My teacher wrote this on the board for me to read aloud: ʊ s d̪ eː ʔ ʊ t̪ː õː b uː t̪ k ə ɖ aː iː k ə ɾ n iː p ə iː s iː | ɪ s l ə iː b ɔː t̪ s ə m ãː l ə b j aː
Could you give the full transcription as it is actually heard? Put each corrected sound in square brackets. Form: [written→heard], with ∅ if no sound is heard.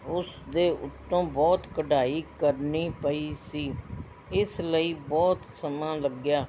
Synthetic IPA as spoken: ʊ s d̪ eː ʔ ʊ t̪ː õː b [uː→ɔː] t̪ k ə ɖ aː iː k ə ɾ n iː p ə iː s iː | ɪ s l ə iː b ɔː t̪ s ə m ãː l ə [b→ɡ] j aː